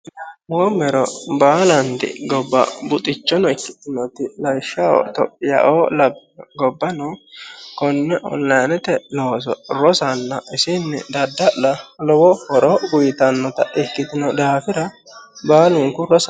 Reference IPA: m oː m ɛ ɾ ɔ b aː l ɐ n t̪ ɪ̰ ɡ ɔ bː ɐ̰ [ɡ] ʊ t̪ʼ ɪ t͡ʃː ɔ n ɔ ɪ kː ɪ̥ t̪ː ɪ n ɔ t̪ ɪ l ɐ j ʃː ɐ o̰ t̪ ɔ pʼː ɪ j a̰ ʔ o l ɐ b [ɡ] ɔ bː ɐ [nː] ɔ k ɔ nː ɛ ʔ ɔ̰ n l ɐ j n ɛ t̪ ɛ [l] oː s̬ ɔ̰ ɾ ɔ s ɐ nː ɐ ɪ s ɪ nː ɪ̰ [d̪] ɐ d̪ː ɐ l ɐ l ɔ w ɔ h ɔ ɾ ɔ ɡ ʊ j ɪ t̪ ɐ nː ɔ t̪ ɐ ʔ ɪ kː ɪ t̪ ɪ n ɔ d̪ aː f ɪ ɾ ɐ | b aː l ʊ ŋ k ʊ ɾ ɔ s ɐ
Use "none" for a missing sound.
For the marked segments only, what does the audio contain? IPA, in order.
b, ɡ, n, l, d̪

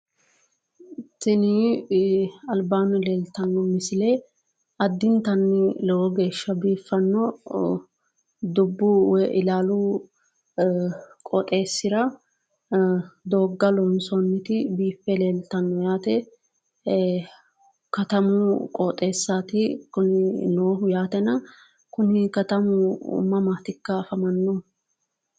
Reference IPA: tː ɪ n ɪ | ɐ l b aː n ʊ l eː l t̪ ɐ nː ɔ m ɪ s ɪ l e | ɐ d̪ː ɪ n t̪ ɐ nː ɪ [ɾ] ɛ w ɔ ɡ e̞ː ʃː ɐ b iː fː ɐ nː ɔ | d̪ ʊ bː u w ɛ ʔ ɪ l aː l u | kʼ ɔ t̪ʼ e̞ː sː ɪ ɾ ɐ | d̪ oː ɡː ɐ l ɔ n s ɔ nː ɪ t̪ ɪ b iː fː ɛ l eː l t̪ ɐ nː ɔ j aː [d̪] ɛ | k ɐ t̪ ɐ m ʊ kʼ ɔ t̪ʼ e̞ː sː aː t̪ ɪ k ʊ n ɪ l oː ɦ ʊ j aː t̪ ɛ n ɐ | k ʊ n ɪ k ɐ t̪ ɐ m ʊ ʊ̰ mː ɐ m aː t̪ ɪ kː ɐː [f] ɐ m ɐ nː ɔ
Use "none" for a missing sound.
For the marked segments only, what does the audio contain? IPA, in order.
l, t̪, f

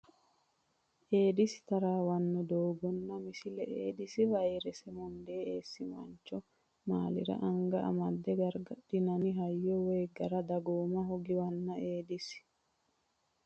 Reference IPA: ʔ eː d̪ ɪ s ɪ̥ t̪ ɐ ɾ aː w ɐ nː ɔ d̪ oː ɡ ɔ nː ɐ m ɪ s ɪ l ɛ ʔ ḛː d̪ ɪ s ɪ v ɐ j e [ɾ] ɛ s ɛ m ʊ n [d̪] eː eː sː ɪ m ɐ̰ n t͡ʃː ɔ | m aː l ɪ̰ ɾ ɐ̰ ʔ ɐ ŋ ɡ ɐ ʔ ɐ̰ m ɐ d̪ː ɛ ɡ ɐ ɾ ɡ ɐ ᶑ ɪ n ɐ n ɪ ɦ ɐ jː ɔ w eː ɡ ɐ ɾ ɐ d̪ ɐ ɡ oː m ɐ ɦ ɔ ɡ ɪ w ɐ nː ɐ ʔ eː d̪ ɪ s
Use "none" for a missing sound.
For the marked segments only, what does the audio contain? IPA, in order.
ɾ, d̪

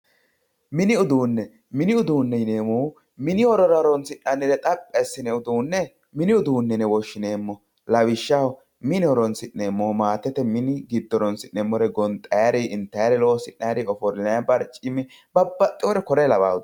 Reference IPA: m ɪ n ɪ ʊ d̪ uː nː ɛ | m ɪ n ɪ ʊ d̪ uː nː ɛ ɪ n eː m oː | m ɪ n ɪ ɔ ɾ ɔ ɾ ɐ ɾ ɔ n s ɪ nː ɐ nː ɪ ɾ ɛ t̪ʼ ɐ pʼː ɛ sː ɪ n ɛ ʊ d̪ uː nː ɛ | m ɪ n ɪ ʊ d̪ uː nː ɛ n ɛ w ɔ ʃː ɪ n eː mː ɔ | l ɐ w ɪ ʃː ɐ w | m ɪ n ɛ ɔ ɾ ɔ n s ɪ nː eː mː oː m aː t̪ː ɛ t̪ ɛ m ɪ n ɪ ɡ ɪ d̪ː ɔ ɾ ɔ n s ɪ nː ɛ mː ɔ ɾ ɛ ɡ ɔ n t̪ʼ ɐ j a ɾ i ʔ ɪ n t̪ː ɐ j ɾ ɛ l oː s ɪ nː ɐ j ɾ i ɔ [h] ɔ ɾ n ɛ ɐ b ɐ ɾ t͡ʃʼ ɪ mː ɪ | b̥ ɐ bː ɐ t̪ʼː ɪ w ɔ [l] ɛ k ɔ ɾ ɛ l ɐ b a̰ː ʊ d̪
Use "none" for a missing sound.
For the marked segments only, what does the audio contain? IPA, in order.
f, ɾ

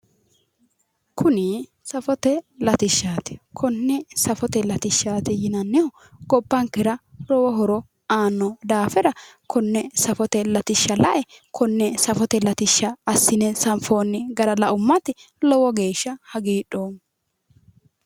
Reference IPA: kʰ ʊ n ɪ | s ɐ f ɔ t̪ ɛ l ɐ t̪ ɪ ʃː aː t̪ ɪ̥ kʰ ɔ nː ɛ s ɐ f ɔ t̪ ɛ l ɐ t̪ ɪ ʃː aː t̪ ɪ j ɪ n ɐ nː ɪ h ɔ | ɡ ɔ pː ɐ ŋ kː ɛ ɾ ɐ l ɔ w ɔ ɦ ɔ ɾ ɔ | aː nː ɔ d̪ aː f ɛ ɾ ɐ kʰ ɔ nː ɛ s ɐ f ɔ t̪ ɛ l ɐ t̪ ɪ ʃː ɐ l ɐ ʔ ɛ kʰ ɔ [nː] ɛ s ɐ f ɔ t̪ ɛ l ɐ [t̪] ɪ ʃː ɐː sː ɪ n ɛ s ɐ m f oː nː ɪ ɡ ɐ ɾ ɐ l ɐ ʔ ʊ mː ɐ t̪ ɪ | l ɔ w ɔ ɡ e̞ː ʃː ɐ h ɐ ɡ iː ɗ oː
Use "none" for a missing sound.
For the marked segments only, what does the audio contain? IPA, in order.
nː, t̪

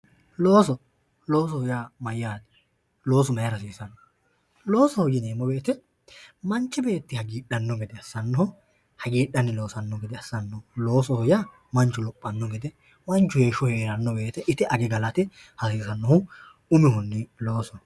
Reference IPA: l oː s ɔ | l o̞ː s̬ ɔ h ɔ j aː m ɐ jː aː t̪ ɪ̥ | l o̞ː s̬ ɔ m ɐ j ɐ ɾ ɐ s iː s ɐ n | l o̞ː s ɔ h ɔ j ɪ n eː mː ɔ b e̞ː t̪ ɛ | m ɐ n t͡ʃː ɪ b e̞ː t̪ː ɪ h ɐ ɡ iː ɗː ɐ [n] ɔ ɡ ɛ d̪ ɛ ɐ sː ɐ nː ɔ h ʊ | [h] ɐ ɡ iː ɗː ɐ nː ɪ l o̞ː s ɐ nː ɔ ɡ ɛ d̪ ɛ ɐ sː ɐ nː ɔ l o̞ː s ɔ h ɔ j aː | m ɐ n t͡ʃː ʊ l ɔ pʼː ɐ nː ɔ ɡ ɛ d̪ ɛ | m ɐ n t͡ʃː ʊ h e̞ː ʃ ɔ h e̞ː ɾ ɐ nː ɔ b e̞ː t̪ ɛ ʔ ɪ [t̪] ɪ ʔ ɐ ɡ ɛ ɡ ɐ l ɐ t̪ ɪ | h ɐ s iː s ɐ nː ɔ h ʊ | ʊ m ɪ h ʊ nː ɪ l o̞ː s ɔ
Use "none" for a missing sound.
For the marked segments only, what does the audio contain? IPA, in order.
nː, h, t̪

